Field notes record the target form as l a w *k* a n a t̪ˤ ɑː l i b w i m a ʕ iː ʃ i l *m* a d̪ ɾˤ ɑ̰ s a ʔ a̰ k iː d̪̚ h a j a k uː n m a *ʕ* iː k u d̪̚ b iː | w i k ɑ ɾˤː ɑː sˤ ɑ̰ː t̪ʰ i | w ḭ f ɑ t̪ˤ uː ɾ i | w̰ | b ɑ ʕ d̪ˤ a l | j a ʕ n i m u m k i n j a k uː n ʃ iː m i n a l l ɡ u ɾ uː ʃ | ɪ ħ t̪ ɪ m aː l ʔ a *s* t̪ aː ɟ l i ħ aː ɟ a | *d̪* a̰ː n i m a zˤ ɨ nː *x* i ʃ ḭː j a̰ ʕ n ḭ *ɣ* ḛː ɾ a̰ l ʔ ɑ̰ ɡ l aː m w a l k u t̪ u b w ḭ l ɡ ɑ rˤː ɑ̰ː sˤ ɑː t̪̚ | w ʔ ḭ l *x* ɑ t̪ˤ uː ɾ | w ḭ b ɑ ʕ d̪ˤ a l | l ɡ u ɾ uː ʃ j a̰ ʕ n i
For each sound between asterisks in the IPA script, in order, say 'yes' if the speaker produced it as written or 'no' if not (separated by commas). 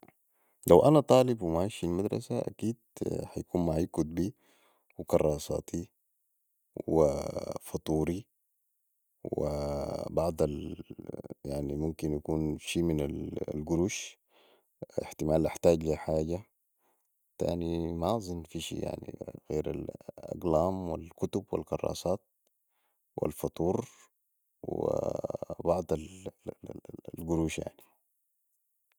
no, yes, yes, no, no, no, yes, no